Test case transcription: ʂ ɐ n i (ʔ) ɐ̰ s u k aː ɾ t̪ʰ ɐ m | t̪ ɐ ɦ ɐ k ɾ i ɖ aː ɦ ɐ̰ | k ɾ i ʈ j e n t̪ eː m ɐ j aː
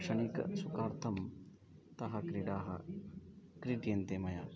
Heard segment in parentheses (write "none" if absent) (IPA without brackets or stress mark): k